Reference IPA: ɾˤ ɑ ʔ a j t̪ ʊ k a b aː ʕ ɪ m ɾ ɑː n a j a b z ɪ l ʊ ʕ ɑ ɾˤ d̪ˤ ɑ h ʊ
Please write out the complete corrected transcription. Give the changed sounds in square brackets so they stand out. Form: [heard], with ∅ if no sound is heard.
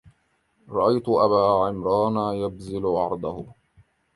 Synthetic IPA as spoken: ɾˤ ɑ ʔ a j t̪ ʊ [ʔ] a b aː ʕ ɪ m ɾ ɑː n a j a b z ɪ l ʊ ʕ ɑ ɾˤ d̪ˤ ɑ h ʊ